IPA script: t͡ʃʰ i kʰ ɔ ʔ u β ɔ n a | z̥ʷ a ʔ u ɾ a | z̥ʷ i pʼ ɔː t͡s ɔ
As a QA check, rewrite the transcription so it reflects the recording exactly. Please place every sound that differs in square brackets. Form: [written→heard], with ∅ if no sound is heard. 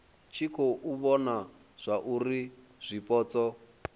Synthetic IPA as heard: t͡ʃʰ i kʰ ɔ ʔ u β ɔ n a | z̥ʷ a ʔ u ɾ [a→i] | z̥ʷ i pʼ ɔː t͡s ɔ

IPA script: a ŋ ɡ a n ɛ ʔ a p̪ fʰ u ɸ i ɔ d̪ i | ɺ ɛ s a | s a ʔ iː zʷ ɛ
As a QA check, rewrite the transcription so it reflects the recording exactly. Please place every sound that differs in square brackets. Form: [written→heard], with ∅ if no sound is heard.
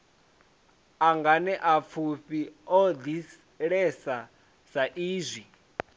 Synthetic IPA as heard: a ŋ ɡ a n ɛ ʔ a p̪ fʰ u ɸ i ɔ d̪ i | ɺ ɛ s a | s a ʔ iː zʷ [ɛ→i]

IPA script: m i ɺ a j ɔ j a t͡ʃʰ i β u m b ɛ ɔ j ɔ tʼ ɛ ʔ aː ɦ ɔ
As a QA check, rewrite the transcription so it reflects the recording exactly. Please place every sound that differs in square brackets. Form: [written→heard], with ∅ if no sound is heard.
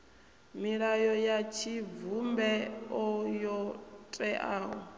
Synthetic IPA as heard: m i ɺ a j ɔ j a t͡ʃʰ i [β→v] u m b ɛ ɔ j ɔ tʼ ɛ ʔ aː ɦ ɔ

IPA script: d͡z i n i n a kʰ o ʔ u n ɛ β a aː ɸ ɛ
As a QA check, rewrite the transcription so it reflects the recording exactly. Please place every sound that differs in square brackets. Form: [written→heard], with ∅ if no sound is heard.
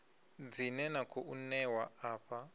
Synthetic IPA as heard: d͡z i n [i→ɛ] n a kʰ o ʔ u n ɛ [β→w] a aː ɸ [ɛ→a]

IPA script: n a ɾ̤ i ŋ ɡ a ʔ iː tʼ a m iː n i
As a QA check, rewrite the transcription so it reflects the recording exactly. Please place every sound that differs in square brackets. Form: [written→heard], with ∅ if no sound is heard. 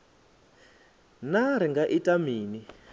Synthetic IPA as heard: n a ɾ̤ i ŋ ɡ a ʔ [iː→i] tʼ a m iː n i

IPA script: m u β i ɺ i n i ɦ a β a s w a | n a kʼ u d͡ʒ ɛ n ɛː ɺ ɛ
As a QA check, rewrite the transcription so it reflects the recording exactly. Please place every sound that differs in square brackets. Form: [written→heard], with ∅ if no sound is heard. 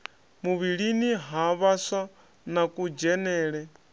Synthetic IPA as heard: m u β i ɺ i n i ɦ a β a s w a | n a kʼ u d͡ʒ ɛ n ɛː ɺ ɛ

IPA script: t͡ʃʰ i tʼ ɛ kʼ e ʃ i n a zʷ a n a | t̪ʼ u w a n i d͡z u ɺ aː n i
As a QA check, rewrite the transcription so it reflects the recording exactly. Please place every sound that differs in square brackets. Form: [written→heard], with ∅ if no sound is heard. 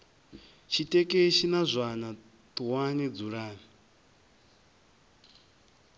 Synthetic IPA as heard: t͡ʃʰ i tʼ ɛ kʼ e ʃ i n a zʷ a n a | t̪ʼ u w a n i d͡z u ɺ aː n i

